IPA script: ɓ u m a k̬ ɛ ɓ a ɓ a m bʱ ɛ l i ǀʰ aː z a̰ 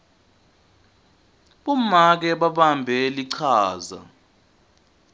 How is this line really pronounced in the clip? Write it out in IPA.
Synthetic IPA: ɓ u m a k̬ ɛ ɓ a ɓ a m bʱ ɛ l i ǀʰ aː z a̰